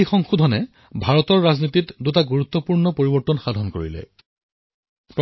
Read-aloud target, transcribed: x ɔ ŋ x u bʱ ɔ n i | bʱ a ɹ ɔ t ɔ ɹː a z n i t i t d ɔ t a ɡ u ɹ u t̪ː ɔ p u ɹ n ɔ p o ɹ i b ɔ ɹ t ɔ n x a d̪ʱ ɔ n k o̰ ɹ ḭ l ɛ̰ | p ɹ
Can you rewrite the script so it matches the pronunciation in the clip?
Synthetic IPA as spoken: x ɔ ŋ x u dʱ ɔ n ɛ | bʱ a ɹ ɔ t ɔ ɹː a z n i t i t d u t a ɡ u ɹ u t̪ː ɔ p u ɹ n ɔ p o ɹ i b ɔ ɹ t ɔ n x a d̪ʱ ɔ n k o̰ ɹ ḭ l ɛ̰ | p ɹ